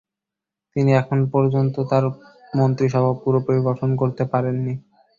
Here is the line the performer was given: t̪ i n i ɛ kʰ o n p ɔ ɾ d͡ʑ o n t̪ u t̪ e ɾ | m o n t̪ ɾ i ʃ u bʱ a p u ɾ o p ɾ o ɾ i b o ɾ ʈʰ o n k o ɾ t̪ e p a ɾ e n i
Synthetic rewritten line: t̪ i n i ɛ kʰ o n p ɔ ɾ d͡ʑ o n t̪ o t̪ a ɾ | m o n t̪ ɾ i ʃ ɔ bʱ a p u ɾ o p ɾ o ɾ i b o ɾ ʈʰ o n k o ɾ t̪ e p a ɾ e nː i